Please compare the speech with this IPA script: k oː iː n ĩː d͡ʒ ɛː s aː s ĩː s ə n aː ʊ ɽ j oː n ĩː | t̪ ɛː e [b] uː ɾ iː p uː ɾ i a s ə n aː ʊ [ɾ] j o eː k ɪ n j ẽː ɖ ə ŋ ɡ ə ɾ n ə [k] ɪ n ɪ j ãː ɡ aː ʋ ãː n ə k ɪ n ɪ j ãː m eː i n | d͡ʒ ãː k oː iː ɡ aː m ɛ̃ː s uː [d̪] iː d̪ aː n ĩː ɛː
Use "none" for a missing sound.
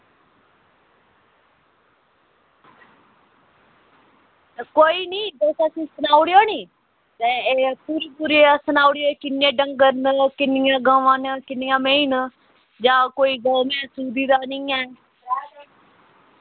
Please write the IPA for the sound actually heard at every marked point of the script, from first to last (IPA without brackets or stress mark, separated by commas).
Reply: p, ɽ, k, d̪